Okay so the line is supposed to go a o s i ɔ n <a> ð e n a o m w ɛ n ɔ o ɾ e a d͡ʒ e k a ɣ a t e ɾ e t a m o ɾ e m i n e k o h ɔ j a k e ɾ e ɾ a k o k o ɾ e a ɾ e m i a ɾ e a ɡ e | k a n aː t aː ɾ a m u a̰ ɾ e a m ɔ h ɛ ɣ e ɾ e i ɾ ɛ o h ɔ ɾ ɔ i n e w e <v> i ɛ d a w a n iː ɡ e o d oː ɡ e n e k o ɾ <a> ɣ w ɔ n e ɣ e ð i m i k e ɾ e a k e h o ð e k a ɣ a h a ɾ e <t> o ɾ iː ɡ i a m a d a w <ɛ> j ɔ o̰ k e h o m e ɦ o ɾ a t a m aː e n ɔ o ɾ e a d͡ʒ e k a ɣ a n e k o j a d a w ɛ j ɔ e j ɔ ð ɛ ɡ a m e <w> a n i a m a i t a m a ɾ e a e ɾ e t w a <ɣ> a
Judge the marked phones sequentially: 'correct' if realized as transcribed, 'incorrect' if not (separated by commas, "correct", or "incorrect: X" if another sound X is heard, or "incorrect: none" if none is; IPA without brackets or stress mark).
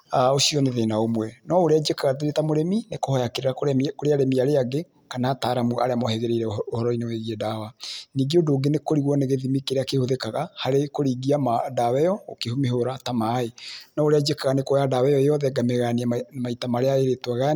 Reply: incorrect: e, incorrect: ɣ, incorrect: i, incorrect: k, correct, incorrect: ɣ, correct